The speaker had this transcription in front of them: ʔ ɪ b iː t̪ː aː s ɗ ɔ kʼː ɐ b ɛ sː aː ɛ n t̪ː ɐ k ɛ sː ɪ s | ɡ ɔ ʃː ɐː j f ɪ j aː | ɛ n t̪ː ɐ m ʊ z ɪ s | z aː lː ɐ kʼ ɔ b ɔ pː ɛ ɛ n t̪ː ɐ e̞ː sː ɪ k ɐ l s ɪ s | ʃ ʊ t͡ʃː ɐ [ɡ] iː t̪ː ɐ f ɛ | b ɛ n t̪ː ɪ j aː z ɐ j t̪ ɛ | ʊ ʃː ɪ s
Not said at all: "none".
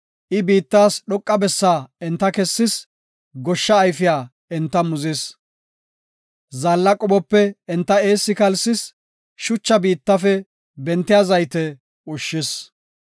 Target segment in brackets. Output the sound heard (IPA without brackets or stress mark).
b